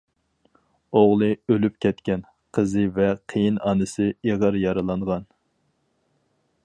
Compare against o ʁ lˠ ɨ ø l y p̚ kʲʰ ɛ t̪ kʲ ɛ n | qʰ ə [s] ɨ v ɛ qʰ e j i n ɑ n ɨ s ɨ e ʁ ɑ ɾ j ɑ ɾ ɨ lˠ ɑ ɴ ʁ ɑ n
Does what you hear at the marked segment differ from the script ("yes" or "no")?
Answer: yes